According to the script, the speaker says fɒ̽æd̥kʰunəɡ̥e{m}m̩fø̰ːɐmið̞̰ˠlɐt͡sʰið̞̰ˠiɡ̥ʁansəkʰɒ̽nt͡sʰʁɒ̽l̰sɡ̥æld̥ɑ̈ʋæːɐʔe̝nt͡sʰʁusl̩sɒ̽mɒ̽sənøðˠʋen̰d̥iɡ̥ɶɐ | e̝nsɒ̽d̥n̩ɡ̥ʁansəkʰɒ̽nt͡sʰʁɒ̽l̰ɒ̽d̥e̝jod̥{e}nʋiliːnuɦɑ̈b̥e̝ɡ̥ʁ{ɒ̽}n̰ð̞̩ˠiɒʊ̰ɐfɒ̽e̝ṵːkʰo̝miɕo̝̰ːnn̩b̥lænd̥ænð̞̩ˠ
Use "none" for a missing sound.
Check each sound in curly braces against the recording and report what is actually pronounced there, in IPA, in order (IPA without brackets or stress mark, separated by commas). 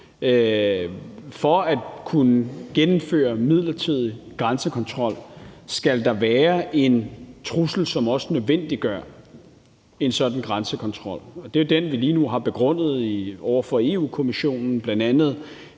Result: n, e, ɔ̽